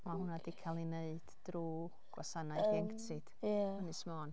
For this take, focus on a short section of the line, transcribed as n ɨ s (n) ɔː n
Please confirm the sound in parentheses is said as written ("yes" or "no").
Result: no